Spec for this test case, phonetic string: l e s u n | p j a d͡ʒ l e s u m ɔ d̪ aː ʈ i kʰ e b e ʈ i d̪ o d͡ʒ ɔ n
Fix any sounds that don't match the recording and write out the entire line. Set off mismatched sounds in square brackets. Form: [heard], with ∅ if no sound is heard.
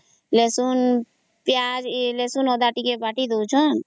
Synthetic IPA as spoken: l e s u n | p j a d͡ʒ l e s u [n] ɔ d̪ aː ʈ i [k] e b [a] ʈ i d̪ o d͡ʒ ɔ n